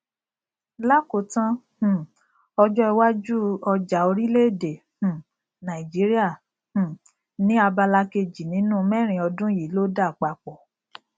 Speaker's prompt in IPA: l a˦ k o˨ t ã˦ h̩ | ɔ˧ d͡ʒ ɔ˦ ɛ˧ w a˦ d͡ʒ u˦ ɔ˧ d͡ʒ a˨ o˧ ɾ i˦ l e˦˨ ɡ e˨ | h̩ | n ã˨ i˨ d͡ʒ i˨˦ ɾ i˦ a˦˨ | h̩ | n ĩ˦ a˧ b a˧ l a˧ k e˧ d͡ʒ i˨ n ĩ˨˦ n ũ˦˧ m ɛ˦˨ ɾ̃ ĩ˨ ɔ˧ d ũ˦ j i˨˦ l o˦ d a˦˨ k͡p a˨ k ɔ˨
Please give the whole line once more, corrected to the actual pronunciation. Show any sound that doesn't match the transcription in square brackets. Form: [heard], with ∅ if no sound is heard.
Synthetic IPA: l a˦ k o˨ t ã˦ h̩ | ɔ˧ d͡ʒ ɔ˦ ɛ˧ w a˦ d͡ʒ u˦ ɔ˧ d͡ʒ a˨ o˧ ɾ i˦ l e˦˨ [d] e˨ | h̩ | n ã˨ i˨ d͡ʒ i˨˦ ɾ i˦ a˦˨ | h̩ | n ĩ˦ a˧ b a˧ l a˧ k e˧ d͡ʒ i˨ n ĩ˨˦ n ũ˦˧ m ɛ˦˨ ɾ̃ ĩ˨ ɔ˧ d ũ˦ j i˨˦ l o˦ d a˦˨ k͡p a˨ [k͡p] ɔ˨